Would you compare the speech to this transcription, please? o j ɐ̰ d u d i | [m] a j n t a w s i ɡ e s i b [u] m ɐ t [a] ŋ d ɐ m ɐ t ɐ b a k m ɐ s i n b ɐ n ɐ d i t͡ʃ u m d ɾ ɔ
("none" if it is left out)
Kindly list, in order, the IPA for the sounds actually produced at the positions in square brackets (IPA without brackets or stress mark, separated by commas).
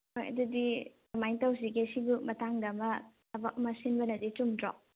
m, u, a